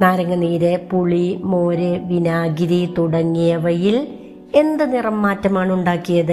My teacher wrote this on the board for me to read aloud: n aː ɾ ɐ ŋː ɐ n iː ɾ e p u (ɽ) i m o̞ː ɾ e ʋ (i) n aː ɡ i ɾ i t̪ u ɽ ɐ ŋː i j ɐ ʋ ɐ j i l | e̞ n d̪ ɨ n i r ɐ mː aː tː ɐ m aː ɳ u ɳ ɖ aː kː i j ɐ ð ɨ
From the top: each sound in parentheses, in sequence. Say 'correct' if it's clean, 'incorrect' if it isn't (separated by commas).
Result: incorrect, correct